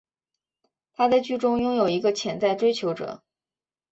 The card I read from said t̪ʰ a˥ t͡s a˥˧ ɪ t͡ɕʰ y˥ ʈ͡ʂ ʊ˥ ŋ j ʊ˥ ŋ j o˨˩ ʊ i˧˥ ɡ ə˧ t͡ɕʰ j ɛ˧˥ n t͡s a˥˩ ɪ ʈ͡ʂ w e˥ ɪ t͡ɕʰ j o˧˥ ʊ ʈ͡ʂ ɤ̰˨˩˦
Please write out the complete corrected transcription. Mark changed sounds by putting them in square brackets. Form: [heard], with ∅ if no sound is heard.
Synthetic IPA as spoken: t̪ʰ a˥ t͡s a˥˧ ɪ [t͡ɕ] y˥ ʈ͡ʂ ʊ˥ ŋ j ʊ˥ ŋ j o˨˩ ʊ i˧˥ ɡ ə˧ t͡ɕʰ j [ɛ˨˩] n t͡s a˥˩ ɪ ʈ͡ʂ w e˥ ɪ t͡ɕʰ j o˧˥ ʊ ʈ͡ʂ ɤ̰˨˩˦